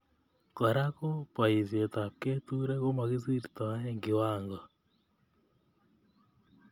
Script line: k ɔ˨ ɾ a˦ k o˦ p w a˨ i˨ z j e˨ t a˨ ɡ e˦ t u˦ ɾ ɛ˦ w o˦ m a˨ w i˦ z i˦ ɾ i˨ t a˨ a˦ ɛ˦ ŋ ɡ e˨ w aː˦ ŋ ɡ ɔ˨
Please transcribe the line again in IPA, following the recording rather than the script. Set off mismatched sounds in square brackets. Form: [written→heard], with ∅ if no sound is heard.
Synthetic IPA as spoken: k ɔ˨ ɾ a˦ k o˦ p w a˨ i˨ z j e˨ t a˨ [ɡ→k] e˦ t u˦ ɾ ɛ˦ [w→ɣ] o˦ m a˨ [w→ɣ] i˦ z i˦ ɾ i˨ t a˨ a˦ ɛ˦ ŋ ɡ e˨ w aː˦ ŋ ɡ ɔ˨